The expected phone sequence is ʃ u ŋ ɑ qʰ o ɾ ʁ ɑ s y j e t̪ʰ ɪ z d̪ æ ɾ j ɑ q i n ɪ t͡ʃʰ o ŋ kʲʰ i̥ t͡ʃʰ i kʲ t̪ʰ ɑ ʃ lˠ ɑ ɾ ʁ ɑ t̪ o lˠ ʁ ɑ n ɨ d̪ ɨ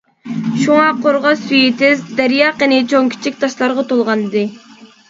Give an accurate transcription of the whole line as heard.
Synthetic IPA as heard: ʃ u ŋ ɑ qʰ o ɾ ʁ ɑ s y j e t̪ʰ ɪ z d̪ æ ɾ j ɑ q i n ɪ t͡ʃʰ o ŋ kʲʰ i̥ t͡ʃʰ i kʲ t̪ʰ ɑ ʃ lˠ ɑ ɾ ʁ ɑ t̪ o lˠ ʁ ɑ n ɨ d̪ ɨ

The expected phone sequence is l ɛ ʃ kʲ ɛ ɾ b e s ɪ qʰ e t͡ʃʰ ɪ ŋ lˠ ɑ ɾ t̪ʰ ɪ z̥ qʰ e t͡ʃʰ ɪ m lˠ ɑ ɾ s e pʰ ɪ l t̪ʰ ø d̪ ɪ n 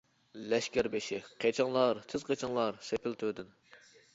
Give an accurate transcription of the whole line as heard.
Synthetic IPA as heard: l ɛ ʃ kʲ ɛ ɾ b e ʃ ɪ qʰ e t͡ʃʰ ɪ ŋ lˠ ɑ ɾ t̪ʰ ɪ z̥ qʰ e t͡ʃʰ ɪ ŋ lˠ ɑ ɾ s e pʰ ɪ l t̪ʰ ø d̪ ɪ n

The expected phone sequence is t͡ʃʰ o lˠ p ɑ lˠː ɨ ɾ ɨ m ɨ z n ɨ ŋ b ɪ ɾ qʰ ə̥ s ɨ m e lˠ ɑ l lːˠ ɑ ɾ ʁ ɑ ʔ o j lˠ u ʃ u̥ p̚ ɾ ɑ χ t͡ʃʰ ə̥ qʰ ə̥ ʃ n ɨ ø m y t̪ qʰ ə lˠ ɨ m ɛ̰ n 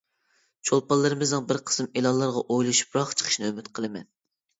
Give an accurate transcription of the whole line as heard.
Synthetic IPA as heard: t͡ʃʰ o lˠ p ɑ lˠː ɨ ɾ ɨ m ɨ z n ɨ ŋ b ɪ ɾ qʰ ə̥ s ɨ m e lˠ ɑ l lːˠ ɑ ɾ ʁ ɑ ʔ o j lˠ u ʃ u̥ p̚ ɾ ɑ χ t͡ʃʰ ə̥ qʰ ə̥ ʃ n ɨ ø m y t̪ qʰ ə lˠ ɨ m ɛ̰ n

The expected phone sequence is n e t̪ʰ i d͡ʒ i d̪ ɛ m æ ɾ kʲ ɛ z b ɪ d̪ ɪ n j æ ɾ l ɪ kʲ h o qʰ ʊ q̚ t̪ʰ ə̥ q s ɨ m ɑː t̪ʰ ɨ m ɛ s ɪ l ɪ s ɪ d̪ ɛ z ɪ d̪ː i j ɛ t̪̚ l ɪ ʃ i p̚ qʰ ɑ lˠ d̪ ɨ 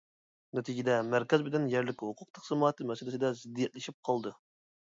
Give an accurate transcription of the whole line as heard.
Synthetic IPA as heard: n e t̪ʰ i d͡ʒ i d̪ ɛ m æ ɾ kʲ ɛ z b ɪ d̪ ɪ n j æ ɾ l ɪ kʲ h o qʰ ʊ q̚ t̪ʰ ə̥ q s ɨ m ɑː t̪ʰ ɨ m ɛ s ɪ l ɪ s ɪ d̪ ɛ z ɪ d̪ː i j ɛ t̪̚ l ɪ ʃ i p̚ qʰ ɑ lˠ d̪ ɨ

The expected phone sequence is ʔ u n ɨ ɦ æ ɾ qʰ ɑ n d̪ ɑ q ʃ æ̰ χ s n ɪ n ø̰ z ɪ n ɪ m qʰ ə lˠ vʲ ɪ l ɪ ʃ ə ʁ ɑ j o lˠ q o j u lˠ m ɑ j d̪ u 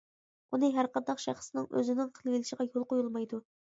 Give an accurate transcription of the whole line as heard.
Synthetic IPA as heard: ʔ u n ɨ ɦ æ ɾ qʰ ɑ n d̪ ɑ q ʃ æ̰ χ s n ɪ ŋ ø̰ z ɪ n ɪ ŋ qʰ ə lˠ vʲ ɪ l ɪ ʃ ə ʁ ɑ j o lˠ q o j u lˠ m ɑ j d̪ u

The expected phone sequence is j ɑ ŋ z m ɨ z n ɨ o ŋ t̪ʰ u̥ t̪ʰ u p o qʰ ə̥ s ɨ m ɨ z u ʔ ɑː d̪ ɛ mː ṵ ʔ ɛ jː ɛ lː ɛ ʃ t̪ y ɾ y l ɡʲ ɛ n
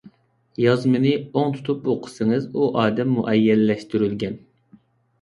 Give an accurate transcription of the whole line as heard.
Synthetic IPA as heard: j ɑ z m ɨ n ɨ o ŋ t̪ʰ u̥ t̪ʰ u p o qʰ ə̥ s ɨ ŋ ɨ z u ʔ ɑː d̪ ɛ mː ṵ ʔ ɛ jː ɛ lː ɛ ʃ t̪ y ɾ y l ɡʲ ɛ n

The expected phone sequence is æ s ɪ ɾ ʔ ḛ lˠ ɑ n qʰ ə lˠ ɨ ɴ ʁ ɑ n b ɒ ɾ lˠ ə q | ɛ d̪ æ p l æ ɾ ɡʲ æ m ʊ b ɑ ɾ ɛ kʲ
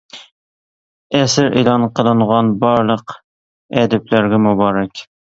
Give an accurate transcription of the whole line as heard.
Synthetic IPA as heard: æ s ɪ ɾ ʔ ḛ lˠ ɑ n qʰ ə lˠ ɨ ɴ ʁ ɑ n b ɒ ɾ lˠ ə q | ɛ d̪ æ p l æ ɾ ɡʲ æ m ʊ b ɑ ɾ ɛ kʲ

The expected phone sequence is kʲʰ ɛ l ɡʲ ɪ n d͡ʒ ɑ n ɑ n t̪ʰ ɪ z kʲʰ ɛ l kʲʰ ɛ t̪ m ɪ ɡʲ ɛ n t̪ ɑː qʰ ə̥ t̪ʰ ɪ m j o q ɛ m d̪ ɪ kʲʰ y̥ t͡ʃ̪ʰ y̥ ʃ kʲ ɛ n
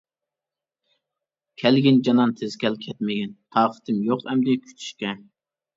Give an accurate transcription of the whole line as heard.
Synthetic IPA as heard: kʲʰ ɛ l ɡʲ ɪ n d͡ʒ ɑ n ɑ n t̪ʰ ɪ z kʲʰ ɛ l kʲʰ ɛ t̪ m ɪ ɡʲ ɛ n t̪ʰ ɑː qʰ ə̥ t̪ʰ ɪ m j o q ɛ m d̪ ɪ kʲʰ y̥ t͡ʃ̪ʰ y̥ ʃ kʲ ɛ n

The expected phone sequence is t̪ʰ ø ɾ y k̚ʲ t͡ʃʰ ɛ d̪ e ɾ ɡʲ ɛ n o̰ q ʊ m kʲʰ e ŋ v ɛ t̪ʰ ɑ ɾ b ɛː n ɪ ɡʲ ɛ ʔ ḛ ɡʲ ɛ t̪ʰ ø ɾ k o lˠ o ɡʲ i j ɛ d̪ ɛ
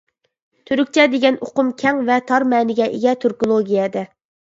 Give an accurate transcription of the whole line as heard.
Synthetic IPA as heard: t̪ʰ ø ɾ y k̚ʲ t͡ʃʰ ɛ d̪ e ɡʲ ɛ n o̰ q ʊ m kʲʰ ɛ ŋ v ɛ t̪ʰ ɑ ɾ m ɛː n ɪ ɡʲ ɛ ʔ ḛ ɡʲ ɛ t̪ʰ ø ɾ k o lˠ o ɡʲ i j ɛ d̪ ɛ

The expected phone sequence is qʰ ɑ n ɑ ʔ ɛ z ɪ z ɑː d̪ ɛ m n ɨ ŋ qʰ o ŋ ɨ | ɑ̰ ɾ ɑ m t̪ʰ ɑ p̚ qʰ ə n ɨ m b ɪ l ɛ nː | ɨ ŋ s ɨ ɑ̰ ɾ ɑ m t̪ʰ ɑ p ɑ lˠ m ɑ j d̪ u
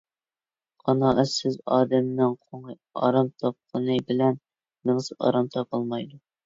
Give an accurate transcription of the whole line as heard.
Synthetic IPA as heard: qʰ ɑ n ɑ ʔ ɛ s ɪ z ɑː d̪ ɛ m n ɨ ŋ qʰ o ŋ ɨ | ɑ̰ ɾ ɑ m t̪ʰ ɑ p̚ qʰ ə n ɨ b ɪ l ɛ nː | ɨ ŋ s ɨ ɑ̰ ɾ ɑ m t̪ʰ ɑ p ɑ lˠ m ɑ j d̪ u

